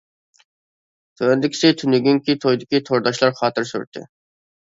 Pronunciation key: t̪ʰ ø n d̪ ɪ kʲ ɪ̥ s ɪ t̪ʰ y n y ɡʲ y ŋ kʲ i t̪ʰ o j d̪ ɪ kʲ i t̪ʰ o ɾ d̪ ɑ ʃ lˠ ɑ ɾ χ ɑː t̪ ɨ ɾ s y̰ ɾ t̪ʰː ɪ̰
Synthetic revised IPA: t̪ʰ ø n d̪ ɪ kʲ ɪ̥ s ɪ t̪ʰ y n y ɡʲ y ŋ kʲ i t̪ʰ o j d̪ ɪ kʲ i t̪ʰ o ɾ d̪ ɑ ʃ lˠ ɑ ɾ χ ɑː t̪ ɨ ɾ s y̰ ɾ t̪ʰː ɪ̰